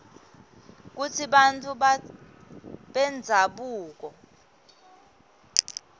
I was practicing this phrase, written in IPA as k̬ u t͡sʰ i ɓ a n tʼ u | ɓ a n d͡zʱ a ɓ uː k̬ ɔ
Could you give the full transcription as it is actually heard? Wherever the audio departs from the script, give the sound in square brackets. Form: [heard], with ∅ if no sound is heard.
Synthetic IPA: k̬ u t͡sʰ i ɓ a n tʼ u | ɓ [ɛ] n d͡zʱ a ɓ uː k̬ ɔ

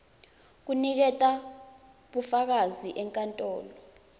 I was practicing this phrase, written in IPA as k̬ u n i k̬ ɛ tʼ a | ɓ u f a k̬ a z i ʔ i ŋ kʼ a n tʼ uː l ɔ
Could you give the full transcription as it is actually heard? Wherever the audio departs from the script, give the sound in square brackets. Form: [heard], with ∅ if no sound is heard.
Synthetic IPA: k̬ u n i k̬ ɛ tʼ a | ɓ u f a k̬ a z i ʔ [ɛ] ŋ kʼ a n tʼ [ɔː] l ɔ

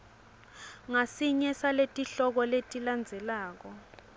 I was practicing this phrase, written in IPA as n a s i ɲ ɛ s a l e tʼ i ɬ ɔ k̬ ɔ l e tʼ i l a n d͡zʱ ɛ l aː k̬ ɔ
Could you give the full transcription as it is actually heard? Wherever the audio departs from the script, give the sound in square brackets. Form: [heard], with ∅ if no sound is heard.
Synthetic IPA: [ŋ] a s i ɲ ɛ s a l e tʼ i ɬ ɔ k̬ ɔ l e tʼ i l a n d͡zʱ ɛ l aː k̬ ɔ

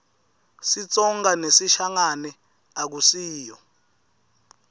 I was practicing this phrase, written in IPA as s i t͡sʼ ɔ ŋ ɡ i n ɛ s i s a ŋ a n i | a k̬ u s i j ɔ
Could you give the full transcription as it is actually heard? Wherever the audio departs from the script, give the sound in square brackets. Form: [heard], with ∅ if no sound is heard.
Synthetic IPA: s i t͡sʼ ɔ ŋ ɡ [a] n [e] s i [ʃ] a ŋ a n [ɛ] | a k̬ u s [iː] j ɔ

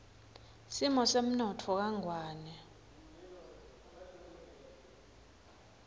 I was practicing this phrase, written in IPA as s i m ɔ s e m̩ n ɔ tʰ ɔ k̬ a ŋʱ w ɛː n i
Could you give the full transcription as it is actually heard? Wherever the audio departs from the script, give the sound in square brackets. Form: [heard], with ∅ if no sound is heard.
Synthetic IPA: s i m ɔ s e m̩ n ɔ tʰ ɔ k̬ a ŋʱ w [aː] n [ɛ]

